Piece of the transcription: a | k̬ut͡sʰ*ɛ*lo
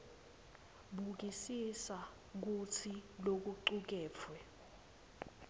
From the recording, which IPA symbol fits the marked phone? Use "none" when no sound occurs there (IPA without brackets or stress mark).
i